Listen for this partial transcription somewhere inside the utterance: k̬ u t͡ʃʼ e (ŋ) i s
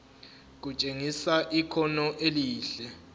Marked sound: correct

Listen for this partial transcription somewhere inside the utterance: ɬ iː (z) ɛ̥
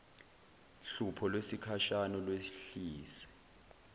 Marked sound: incorrect: s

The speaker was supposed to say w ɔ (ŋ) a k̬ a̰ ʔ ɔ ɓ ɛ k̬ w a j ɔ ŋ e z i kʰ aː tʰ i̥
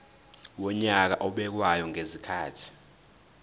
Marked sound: incorrect: ɲ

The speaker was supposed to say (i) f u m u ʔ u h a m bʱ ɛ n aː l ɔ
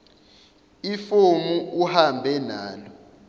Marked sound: correct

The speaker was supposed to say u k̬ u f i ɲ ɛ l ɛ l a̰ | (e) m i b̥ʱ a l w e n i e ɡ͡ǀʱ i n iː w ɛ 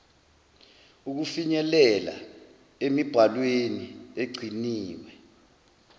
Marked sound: correct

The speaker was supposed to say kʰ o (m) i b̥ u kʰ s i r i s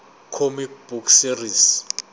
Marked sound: correct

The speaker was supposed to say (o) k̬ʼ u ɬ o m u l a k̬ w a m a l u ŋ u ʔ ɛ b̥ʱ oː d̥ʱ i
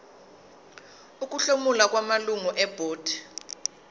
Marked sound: incorrect: u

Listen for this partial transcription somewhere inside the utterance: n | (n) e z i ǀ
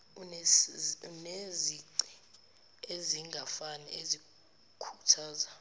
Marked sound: correct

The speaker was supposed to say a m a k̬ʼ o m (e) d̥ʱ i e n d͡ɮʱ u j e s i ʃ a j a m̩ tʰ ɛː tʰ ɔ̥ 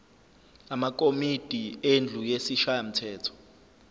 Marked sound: incorrect: i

